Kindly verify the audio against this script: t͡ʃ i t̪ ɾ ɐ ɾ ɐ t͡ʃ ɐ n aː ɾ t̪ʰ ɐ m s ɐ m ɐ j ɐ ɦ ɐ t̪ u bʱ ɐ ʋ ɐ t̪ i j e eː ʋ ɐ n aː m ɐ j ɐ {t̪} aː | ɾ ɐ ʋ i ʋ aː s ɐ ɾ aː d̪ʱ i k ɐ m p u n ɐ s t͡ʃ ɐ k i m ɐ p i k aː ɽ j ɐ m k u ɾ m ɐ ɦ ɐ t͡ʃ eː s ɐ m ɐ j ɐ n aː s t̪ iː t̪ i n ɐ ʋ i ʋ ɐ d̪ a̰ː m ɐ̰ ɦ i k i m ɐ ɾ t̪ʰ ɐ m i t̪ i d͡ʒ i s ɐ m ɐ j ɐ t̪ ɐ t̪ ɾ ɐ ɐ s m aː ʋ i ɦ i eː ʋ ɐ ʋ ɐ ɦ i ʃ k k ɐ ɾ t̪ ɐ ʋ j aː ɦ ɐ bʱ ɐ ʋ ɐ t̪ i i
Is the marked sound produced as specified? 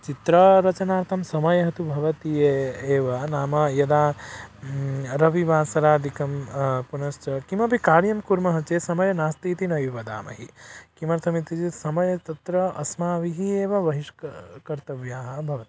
no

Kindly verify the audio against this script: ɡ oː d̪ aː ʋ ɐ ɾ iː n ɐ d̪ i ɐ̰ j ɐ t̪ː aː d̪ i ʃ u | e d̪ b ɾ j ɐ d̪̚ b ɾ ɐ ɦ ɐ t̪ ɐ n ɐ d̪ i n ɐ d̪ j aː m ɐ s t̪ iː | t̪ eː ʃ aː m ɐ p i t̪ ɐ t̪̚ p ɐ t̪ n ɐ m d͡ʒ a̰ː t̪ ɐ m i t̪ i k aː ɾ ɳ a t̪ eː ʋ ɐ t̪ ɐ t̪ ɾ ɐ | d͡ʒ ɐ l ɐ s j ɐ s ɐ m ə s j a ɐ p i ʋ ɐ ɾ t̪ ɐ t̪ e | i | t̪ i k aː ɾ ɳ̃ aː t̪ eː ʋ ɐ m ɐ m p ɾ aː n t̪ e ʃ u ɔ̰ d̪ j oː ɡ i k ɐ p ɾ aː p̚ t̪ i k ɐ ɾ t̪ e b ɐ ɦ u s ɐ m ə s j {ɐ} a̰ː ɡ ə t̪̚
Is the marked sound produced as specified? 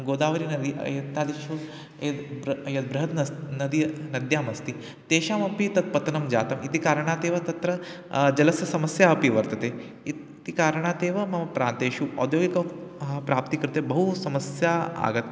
no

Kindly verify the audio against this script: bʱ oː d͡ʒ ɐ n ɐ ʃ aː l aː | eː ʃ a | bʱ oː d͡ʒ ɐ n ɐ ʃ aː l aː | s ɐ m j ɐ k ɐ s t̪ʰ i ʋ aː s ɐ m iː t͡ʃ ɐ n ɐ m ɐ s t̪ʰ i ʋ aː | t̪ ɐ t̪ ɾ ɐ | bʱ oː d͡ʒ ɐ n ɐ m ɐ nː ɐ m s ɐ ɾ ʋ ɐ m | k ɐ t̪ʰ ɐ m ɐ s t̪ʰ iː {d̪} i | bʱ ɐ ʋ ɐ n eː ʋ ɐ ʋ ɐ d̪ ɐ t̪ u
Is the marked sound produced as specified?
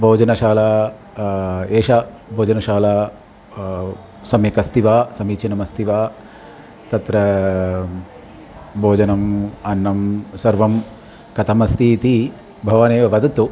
no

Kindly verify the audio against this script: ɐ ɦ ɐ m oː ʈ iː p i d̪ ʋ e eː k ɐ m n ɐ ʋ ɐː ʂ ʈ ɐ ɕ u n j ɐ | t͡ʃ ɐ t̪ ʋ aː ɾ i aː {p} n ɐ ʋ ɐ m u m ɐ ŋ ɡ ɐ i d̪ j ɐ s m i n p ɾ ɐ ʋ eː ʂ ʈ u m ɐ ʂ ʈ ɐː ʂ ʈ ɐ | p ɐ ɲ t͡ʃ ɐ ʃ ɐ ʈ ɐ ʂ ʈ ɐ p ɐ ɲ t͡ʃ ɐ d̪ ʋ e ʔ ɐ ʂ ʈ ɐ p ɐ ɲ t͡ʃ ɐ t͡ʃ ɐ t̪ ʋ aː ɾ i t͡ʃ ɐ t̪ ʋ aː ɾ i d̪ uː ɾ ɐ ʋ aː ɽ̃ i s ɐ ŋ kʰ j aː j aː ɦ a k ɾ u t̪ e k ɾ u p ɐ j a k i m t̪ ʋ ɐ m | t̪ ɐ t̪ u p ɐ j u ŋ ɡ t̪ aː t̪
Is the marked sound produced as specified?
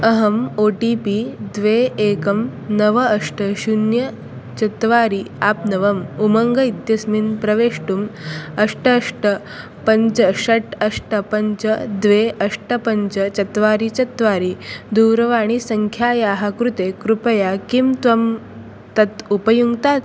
yes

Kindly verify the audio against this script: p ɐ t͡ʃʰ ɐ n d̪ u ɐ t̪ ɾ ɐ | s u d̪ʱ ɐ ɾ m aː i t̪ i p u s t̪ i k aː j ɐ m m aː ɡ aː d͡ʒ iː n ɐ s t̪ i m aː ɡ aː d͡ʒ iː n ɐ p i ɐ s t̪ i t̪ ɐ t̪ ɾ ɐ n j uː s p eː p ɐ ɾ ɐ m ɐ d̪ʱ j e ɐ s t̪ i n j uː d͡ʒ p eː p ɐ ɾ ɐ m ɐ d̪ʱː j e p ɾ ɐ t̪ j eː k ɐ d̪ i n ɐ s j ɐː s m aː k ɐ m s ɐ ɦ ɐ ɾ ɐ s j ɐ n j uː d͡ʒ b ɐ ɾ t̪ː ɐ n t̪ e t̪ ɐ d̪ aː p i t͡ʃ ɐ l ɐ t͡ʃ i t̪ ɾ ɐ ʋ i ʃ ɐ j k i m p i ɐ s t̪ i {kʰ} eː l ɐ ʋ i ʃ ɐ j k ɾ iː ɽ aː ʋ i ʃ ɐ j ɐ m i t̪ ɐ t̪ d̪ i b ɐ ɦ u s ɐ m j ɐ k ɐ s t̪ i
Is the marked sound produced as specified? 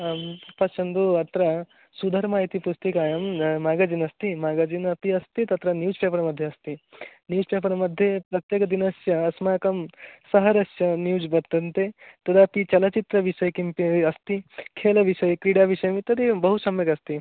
yes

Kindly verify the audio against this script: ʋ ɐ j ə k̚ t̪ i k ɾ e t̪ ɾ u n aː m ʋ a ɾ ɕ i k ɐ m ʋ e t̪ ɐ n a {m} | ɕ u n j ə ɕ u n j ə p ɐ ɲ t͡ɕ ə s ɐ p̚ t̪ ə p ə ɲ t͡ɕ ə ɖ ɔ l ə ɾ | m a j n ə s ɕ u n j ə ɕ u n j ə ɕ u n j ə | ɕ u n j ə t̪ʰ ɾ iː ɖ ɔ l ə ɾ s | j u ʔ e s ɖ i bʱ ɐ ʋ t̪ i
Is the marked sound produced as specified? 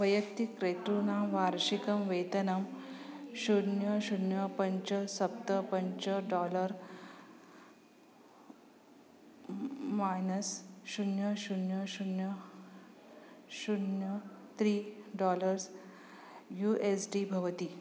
yes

